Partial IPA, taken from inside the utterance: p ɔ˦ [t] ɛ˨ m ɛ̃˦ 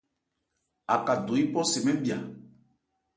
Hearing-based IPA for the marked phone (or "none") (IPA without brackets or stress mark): s